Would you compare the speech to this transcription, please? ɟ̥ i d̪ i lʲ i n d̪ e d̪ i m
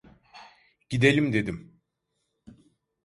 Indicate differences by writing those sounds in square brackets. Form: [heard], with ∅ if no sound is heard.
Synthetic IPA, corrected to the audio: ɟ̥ i d̪ [e] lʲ i [m] d̪ e d̪ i m